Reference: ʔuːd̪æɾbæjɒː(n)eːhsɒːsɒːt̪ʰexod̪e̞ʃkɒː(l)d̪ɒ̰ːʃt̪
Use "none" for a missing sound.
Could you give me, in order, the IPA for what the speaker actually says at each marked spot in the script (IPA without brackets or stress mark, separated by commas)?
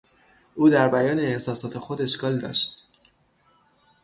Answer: n, l